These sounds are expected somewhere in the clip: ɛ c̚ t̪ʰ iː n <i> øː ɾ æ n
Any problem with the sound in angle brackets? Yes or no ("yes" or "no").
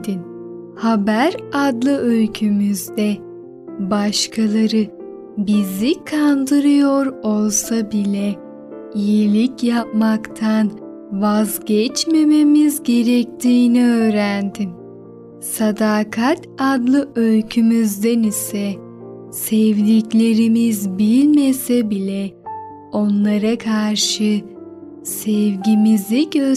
no